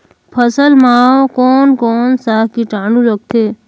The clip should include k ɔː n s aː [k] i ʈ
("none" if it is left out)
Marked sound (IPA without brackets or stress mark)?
k